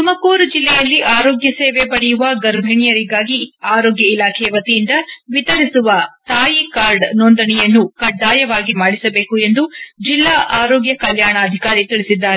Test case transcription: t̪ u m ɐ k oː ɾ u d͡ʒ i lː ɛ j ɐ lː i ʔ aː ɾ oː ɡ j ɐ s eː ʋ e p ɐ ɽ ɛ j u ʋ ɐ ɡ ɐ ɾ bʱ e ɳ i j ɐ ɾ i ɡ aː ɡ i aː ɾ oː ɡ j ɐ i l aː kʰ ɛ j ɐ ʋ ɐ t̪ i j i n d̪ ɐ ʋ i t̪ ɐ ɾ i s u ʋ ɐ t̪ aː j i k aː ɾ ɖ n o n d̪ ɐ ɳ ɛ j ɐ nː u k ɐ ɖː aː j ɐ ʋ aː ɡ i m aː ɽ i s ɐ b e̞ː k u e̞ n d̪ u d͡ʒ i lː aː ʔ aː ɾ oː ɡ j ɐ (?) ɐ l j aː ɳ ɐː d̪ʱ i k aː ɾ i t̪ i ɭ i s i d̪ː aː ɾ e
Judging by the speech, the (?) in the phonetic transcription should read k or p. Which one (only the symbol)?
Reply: k